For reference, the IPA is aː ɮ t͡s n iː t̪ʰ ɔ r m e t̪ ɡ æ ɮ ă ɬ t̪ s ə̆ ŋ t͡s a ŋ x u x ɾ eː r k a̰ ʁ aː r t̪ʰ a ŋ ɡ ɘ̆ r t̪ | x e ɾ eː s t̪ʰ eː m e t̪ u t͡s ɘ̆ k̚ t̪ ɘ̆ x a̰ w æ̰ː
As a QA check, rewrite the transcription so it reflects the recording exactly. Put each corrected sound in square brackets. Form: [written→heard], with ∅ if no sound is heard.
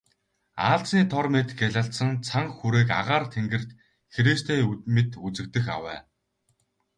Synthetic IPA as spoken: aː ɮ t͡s n iː t̪ʰ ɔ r m e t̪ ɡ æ ɮ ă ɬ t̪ s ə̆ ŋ [t͡s→t͡sʰ] a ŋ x u [x→∅] ɾ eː [r→∅] k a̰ ʁ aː r t̪ʰ [a→e] ŋ ɡ ɘ̆ r t̪ | x e ɾ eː s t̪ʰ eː m e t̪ u t͡s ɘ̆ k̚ t̪ ɘ̆ x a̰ w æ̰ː